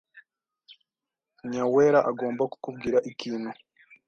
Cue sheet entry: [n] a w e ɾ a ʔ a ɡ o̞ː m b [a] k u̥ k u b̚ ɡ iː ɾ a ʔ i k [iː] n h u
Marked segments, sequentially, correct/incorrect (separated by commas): incorrect, correct, correct